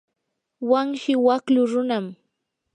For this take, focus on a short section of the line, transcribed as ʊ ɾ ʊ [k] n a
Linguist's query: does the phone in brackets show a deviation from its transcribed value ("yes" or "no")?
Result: yes